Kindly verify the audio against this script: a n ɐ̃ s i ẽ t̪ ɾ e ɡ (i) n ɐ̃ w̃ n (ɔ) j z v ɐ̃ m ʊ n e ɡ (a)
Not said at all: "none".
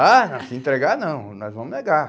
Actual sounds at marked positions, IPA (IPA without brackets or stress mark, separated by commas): a, ɔ, a